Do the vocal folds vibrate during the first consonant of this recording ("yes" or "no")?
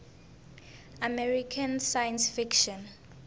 yes